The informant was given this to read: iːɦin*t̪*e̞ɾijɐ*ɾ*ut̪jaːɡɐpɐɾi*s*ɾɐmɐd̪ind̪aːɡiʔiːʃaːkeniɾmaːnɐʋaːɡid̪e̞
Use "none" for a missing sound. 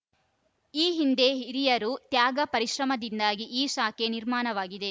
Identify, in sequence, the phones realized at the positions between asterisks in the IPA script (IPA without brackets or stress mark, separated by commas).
d̪, ɾ, ʃ